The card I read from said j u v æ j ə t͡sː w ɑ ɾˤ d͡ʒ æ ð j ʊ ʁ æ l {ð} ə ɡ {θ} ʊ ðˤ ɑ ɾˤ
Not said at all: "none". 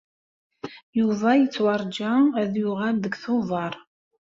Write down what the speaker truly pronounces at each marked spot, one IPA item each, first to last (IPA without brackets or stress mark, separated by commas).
ð, θ